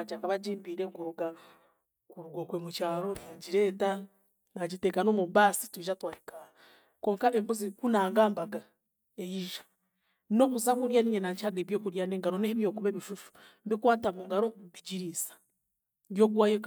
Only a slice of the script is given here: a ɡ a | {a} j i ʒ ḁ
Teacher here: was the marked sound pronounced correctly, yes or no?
no